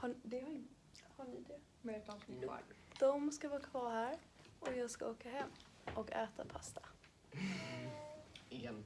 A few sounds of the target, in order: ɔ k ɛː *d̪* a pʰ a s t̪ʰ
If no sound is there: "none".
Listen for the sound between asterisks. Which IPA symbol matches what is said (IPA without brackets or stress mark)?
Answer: t̪